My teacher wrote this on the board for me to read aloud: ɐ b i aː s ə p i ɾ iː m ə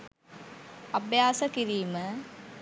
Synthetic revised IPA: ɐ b j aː s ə k i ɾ iː m ə